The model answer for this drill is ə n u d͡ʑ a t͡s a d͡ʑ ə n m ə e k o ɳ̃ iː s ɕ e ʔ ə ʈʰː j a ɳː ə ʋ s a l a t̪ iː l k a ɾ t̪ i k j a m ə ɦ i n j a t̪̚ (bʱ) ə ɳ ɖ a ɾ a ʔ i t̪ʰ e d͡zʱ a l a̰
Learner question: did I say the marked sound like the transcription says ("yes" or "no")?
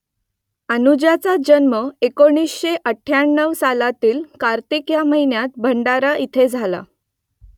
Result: yes